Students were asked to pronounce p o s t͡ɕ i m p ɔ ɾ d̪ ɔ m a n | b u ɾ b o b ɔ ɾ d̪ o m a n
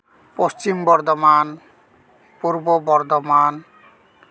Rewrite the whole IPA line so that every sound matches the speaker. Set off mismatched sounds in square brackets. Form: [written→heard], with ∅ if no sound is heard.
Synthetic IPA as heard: p o s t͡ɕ i m [p→b] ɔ ɾ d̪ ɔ m a n | [b→p] u ɾ b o b ɔ ɾ d̪ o m a n